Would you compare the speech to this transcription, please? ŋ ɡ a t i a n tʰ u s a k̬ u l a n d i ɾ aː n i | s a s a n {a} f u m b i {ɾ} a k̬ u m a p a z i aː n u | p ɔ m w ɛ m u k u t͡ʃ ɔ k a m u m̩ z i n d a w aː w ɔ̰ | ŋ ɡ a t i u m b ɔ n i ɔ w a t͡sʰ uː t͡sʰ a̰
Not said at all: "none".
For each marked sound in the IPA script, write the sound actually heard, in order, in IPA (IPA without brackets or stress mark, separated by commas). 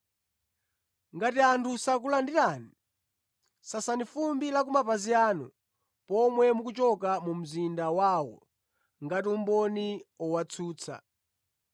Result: i, l